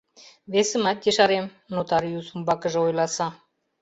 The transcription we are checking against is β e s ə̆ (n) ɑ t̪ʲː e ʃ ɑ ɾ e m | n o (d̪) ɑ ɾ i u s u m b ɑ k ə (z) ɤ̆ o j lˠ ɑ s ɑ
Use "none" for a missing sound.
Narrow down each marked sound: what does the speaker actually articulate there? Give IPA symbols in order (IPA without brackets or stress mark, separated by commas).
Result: m, t̪, ʒ